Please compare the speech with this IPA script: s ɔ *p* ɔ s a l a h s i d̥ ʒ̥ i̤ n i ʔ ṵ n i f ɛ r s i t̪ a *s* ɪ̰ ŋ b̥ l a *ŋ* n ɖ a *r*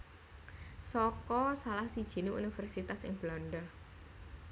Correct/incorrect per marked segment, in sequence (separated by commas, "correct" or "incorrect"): incorrect, correct, incorrect, incorrect